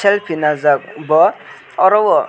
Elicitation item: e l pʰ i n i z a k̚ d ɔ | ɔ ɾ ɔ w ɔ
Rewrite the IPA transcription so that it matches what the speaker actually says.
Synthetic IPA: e l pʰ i n a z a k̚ b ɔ | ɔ ɾ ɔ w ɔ